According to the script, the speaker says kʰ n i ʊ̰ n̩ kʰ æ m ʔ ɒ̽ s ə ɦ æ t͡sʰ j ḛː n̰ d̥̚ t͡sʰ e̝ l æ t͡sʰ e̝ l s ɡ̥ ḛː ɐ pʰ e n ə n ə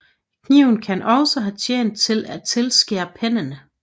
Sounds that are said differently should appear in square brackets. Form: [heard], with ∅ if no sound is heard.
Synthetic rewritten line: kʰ n i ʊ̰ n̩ kʰ æ [n] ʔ ɒ̽ s ə ɦ æ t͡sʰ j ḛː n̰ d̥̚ t͡sʰ e̝ l æ t͡sʰ e̝ l s ɡ̥ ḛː ɐ pʰ e n ə n ə